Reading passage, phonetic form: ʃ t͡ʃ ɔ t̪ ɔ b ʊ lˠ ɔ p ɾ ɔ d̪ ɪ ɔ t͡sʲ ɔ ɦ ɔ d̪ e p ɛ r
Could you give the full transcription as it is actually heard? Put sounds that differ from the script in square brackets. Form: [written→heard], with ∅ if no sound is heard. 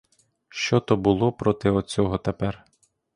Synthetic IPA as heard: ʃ t͡ʃ ɔ t̪ ɔ b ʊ lˠ ɔ p ɾ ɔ [d̪→t̪] ɪ ɔ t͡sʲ ɔ ɦ ɔ [d̪→t̪] e p ɛ r